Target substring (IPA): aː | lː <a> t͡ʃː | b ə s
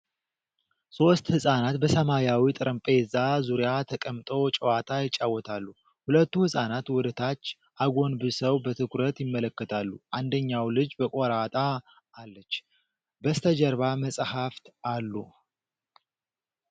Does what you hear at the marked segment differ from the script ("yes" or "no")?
yes